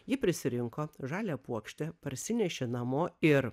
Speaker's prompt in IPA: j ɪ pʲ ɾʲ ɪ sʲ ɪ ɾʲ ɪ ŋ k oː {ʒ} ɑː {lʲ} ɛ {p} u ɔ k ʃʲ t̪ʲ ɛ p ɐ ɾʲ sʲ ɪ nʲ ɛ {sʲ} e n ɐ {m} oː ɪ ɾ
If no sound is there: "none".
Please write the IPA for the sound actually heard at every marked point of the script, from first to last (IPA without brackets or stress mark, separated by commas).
ʒ, lʲ, p, ʃʲ, m